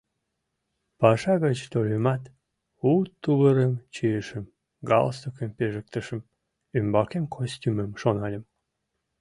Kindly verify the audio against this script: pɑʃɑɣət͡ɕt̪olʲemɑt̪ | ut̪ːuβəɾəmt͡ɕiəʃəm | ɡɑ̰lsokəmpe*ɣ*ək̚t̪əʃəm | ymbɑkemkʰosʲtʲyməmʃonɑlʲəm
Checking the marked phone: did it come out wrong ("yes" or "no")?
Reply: yes